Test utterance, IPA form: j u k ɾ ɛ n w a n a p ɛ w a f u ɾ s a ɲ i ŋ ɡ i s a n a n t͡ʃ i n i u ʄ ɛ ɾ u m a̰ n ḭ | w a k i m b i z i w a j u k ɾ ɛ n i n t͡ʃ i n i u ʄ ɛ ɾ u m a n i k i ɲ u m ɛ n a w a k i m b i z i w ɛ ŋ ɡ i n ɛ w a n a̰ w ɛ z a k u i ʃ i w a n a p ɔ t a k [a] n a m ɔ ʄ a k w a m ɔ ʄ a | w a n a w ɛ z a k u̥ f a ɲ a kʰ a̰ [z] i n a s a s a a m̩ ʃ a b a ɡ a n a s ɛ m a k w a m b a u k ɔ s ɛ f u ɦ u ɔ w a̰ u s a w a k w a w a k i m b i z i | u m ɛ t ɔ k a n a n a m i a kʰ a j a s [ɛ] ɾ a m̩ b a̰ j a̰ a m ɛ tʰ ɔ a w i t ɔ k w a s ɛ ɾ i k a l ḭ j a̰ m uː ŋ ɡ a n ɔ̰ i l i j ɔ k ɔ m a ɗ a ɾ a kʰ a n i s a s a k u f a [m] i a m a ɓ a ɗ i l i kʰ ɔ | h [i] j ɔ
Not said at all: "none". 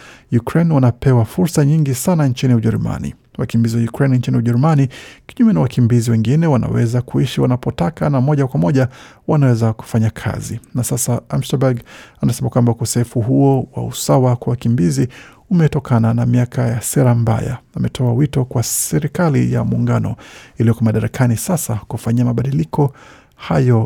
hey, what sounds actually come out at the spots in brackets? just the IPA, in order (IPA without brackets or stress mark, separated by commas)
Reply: a, z, ɛ, ɲ, a